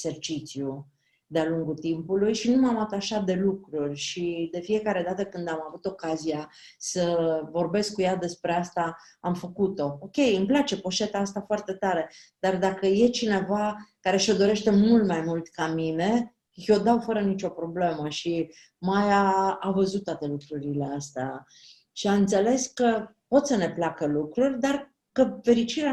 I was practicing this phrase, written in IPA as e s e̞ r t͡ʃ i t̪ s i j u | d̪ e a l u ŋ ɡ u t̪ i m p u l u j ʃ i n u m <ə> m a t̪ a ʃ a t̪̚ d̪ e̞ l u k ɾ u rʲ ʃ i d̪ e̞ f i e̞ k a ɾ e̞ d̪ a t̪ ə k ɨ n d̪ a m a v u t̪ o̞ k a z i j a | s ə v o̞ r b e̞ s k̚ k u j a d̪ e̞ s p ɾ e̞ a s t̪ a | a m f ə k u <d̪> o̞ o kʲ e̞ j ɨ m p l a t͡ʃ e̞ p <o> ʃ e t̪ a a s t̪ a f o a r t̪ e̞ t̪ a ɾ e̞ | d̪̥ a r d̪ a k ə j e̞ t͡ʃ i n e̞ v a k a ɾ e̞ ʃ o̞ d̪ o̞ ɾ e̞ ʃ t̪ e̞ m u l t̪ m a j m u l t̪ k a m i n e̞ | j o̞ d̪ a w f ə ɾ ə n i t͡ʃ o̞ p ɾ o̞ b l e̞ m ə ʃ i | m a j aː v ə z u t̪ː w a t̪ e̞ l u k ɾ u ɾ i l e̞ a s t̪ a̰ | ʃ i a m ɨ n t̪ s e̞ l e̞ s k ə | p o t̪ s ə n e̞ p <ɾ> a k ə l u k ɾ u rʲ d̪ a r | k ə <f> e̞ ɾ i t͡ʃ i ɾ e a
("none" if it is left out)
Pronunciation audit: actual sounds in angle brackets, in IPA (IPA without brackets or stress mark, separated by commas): a, t̪, o, l, f